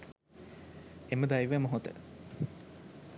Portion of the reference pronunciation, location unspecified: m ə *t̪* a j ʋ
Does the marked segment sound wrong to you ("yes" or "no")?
yes